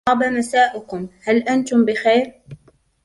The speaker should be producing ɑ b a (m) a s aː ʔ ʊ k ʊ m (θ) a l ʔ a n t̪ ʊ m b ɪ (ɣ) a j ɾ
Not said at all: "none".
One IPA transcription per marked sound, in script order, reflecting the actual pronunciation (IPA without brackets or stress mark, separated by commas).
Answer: m, h, x